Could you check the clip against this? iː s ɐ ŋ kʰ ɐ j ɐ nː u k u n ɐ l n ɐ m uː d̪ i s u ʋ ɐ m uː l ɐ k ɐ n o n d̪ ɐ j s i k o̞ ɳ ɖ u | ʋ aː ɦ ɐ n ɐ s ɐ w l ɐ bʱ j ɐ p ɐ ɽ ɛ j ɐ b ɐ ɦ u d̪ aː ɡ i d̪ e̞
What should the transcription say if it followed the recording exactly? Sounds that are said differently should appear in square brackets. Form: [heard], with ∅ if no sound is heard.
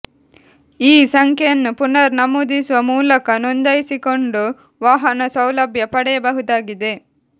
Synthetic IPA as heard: iː s ɐ ŋ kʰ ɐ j ɐ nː u [p] u n ɐ [ɾ] n ɐ m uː d̪ i s u ʋ ɐ m uː l ɐ k ɐ n o n d̪ ɐ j s i k o̞ ɳ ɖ u | ʋ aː ɦ ɐ n ɐ s ɐ w l ɐ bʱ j ɐ p ɐ ɽ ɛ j ɐ b ɐ ɦ u d̪ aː ɡ i d̪ e̞